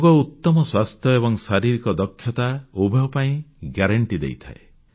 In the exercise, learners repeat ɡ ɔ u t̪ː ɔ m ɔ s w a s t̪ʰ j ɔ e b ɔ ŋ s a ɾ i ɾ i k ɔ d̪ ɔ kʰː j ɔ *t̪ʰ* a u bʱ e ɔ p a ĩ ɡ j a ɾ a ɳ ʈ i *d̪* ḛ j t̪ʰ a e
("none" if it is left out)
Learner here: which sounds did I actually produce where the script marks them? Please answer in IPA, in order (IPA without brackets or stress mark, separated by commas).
t̪, d̪